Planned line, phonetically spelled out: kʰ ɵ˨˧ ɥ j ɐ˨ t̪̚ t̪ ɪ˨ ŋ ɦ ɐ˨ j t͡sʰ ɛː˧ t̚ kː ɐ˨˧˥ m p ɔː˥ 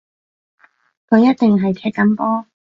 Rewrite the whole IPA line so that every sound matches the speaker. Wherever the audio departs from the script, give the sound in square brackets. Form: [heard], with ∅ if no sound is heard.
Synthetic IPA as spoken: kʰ ɵ˨˧ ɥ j [ɐ˥] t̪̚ t̪ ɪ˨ ŋ ɦ ɐ˨ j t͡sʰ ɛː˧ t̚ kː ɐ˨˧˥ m p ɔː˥

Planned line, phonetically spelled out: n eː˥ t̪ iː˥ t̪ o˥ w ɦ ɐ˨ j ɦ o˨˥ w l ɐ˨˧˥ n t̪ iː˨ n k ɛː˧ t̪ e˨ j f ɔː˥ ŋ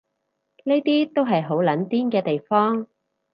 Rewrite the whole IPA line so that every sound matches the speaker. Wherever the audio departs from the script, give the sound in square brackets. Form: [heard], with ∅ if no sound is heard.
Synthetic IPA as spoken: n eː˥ t̪ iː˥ t̪ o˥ w ɦ ɐ˨ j ɦ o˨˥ w l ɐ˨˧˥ n t̪ [iː˥] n k ɛː˧ t̪ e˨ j f ɔː˥ ŋ

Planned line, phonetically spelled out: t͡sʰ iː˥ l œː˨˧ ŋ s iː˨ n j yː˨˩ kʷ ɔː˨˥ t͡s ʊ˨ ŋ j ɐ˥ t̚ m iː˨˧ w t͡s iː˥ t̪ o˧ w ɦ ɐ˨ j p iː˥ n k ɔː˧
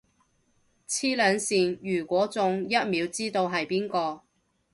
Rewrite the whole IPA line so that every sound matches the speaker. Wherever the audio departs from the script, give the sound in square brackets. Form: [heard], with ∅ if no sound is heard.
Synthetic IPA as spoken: t͡sʰ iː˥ l œː˨˧ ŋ s iː˨ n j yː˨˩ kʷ ɔː˨˥ t͡s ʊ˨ ŋ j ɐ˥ t̚ m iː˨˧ w t͡s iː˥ t̪ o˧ w ɦ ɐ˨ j p iː˥ n k ɔː˧

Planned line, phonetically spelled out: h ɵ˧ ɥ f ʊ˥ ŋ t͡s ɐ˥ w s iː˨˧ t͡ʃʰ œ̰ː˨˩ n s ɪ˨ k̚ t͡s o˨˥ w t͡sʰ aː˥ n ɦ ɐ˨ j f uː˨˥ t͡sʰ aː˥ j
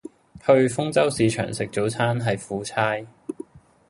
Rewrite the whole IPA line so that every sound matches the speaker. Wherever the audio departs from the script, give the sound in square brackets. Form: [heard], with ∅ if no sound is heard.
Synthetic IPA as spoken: h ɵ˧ ɥ f ʊ˥ ŋ t͡s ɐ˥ w s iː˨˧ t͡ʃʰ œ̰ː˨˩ [ŋ] s ɪ˨ k̚ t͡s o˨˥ w t͡sʰ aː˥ n ɦ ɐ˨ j f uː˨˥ t͡sʰ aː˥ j

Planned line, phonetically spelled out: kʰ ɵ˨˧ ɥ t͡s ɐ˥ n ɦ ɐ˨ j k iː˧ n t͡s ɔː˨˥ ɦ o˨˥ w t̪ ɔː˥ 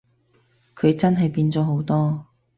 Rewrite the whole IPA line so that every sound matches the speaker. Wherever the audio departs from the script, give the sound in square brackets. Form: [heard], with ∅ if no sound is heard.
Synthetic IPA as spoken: kʰ ɵ˨˧ ɥ t͡s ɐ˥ n ɦ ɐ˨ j [p] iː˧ n t͡s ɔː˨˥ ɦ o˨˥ w t̪ ɔː˥

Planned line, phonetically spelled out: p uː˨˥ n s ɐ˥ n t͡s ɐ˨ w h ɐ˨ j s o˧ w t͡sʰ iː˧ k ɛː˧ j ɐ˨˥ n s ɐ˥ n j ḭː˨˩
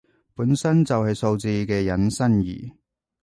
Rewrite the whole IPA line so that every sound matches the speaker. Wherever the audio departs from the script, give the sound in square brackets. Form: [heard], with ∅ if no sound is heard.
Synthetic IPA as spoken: p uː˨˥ n s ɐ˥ n t͡s ɐ˨ w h ɐ˨ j s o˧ w [t͡s] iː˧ k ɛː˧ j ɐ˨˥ n s ɐ˥ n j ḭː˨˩

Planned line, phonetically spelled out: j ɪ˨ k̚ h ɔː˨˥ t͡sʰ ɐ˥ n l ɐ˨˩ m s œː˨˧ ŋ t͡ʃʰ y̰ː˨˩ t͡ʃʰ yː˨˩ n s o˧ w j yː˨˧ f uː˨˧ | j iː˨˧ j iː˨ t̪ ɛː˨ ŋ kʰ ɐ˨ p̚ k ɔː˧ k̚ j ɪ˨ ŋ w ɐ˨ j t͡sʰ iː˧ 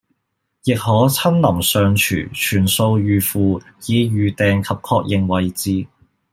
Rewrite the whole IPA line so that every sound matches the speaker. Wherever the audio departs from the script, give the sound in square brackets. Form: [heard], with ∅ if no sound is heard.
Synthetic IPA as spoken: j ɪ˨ k̚ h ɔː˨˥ t͡sʰ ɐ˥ n l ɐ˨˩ m s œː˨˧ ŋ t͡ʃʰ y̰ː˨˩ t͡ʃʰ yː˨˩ n s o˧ w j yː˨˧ f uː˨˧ | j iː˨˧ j [yː˨] t̪ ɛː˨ ŋ kʰ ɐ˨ p̚ [kʰ] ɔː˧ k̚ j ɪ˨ ŋ w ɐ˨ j [t͡s] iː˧

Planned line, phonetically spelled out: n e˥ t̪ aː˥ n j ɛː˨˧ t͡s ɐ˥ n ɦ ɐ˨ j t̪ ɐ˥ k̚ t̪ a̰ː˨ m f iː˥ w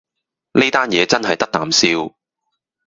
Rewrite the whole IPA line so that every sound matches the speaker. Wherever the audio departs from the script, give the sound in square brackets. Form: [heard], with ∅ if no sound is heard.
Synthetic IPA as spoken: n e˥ t̪ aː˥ n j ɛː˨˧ t͡s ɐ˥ n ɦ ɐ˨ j t̪ ɐ˥ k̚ t̪ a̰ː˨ m [s] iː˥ w

